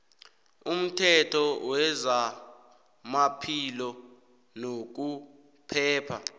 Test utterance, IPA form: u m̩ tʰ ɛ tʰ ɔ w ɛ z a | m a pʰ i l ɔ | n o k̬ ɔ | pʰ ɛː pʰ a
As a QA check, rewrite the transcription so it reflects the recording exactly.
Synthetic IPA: u m̩ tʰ ɛ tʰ ɔ w ɛ z a | m a pʰ i l ɔ | n o k̬ u | pʰ ɛː pʰ a